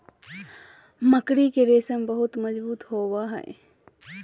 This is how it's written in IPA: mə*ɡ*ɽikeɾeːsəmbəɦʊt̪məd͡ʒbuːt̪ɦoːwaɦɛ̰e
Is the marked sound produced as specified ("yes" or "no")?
no